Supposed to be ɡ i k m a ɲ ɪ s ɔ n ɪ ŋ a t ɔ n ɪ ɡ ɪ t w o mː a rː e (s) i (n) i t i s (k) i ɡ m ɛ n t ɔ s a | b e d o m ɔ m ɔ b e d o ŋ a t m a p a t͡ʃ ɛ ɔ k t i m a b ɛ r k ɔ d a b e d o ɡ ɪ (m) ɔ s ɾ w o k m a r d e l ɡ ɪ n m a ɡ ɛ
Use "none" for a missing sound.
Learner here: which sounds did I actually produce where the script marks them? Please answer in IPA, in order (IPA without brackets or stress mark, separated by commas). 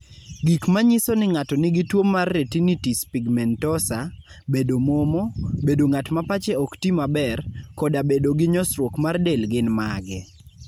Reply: t, n, p, ɲ